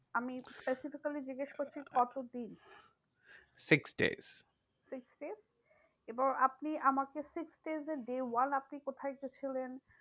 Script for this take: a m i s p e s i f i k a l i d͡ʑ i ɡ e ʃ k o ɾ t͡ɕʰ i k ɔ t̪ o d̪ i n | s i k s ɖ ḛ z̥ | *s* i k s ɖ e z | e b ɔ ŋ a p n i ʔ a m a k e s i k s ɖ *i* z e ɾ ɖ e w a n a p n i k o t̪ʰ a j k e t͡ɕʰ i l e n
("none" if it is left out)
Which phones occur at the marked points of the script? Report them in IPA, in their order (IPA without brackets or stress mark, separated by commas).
s, e